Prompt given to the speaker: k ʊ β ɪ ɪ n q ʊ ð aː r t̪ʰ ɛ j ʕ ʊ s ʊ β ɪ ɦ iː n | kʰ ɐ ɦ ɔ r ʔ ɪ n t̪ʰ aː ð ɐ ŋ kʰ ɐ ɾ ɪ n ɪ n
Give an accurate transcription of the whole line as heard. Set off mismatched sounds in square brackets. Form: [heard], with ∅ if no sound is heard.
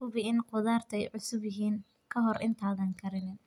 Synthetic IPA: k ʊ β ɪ ɪ n q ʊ ð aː r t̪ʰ ɛ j ʕ ʊ s ʊ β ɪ ɦ iː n | kʰ ɐ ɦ ɔ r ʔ ɪ n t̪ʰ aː ð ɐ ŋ kʰ ɐ ɾ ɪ n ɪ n